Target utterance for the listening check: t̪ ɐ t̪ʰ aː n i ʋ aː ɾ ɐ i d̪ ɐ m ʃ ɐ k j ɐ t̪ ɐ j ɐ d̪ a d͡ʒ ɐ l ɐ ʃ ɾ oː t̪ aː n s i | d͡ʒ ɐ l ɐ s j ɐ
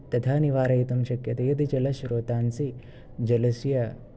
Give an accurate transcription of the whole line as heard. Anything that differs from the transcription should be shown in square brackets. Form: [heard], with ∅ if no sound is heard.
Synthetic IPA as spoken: t̪ ɐ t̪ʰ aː n i ʋ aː ɾ ɐ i [t̪] ɐ m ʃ ɐ k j ɐ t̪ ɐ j ɐ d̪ [i] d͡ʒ ɐ l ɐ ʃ ɾ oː t̪ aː n s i | d͡ʒ ɐ l ɐ s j ɐ

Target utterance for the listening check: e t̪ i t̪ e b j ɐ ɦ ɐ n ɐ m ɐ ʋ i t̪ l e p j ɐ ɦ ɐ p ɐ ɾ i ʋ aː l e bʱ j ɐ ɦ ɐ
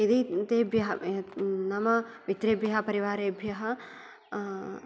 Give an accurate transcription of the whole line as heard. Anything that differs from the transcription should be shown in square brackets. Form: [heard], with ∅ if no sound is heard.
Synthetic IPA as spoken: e [d̪] i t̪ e b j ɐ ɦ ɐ n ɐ m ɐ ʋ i t̪ [ɾ] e [b] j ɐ ɦ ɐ p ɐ ɾ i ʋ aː [ɾ] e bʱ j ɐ ɦ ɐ

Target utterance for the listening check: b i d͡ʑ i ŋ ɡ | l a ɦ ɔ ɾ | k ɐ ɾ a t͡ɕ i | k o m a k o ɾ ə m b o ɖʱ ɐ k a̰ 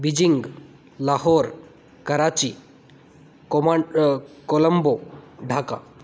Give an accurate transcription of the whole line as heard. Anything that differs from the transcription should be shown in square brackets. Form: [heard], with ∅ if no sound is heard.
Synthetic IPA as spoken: b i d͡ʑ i ŋ ɡ | l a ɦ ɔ ɾ | k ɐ ɾ a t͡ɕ i | k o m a k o [l] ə m b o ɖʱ [a] k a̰

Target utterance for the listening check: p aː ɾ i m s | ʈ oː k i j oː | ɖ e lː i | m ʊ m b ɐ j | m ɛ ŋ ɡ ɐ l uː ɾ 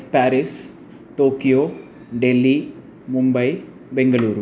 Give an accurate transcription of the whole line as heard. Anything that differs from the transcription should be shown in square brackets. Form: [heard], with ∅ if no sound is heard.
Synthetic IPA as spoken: p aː ɾ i [∅] s | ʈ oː k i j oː | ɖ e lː i | m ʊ m b ɐ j | [b] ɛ ŋ ɡ ɐ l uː ɾ

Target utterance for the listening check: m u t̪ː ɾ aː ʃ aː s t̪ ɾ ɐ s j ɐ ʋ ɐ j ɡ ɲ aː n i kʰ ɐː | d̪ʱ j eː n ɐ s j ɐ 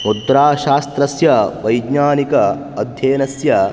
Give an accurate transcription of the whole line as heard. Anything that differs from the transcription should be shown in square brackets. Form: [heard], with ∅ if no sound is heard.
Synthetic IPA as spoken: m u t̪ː ɾ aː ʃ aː s t̪ ɾ ɐ s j ɐ ʋ ɐ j ɡ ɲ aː n i [k] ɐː | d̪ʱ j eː n ɐ s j ɐ

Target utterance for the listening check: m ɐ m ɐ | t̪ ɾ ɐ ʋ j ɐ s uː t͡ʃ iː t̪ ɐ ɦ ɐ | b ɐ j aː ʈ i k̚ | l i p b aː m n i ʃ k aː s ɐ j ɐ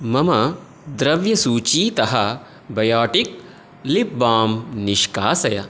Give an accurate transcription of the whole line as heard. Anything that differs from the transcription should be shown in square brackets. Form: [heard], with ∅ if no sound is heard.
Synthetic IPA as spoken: m ɐ m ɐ | [d̪] ɾ ɐ ʋ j ɐ s uː t͡ʃ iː t̪ ɐ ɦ ɐ | b ɐ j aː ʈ i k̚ | l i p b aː m n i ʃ k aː s ɐ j ɐ

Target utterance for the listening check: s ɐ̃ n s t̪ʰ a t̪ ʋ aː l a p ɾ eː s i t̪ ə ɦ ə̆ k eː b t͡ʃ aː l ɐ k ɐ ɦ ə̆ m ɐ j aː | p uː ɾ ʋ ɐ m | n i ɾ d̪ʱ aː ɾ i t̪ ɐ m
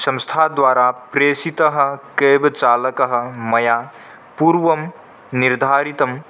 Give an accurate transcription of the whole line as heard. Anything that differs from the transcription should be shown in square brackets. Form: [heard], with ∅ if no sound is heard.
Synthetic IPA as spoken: s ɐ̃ [m] s t̪ʰ a [d̪] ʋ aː [ɾ] a p ɾ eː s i t̪ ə ɦ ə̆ k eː b t͡ʃ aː l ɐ k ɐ ɦ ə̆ m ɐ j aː | p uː ɾ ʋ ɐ m | n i ɾ d̪ʱ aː ɾ i t̪ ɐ m

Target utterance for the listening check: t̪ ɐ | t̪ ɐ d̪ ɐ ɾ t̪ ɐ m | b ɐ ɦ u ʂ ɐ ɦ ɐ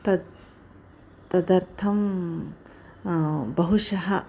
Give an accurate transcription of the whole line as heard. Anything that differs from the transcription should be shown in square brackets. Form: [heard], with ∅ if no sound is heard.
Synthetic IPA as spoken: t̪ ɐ | t̪ ɐ d̪ ɐ ɾ [t̪ʰ] ɐ m | b ɐ ɦ u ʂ ɐ ɦ ɐ

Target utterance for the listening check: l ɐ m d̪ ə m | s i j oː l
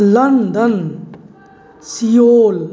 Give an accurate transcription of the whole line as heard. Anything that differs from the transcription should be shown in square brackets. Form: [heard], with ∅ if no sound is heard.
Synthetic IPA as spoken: l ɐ [n] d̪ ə [n] | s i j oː l

